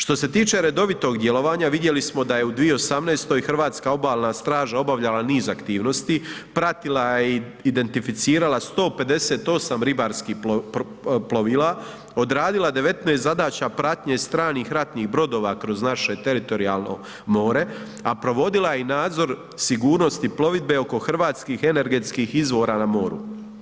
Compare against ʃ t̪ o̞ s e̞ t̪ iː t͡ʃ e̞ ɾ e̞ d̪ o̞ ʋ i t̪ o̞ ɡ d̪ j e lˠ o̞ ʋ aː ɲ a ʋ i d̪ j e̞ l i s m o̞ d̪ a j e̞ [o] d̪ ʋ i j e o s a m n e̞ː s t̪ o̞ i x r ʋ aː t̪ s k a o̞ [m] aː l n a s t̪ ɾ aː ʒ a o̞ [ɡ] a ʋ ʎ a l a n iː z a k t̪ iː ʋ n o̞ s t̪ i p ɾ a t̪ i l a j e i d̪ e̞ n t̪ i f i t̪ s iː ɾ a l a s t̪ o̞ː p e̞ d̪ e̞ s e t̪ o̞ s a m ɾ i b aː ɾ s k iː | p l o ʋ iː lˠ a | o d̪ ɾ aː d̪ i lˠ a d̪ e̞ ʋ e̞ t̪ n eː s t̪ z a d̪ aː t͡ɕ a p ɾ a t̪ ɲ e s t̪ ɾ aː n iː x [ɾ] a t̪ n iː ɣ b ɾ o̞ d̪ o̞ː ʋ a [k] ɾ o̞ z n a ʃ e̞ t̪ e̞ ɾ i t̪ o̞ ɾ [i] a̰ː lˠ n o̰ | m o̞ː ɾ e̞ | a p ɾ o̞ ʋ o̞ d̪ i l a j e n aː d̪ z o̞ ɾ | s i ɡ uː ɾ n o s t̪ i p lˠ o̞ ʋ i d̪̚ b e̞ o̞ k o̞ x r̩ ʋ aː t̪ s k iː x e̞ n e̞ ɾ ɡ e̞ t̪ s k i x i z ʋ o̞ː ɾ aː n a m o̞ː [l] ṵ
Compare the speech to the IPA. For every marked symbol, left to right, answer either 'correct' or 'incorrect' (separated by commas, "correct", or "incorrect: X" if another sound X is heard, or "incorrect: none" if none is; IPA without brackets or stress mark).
incorrect: u, incorrect: b, incorrect: b, correct, correct, correct, incorrect: ɾ